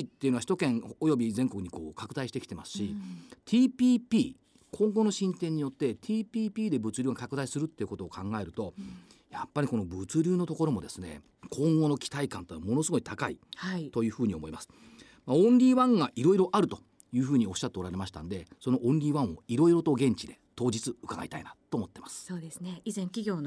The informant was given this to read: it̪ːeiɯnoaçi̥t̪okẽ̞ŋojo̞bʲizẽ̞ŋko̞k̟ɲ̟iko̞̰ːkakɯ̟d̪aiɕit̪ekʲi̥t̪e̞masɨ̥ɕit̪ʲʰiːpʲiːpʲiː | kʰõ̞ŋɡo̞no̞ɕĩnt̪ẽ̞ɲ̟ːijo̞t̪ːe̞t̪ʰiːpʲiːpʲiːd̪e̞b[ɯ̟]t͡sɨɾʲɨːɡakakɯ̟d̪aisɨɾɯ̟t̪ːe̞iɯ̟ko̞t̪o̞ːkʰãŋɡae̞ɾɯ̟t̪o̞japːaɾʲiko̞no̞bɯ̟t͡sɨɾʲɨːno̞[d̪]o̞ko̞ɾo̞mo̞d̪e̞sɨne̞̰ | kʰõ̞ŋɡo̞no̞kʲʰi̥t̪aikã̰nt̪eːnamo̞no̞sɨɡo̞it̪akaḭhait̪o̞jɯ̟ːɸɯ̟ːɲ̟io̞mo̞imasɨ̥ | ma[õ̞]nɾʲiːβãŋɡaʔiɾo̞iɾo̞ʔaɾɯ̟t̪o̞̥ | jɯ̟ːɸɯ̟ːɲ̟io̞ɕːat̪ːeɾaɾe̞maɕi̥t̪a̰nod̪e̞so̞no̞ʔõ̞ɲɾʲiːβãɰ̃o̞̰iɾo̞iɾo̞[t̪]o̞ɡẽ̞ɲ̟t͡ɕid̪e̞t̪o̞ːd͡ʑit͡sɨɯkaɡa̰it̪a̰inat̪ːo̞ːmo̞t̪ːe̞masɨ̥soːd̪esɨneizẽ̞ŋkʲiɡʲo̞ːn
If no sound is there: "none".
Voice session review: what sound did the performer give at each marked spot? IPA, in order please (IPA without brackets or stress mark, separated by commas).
ɯ̟, t̪, õ̞, t̪